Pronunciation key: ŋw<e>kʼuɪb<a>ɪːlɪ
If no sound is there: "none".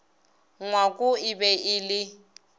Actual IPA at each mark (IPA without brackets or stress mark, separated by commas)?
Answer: a, ɛ